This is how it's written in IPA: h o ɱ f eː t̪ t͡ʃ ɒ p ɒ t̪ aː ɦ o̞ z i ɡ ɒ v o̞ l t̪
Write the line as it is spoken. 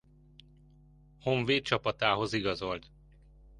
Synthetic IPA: h o ɱ v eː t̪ t͡ʃ ɒ p ɒ t̪ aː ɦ o̞ z i ɡ ɒ z o̞ l t̪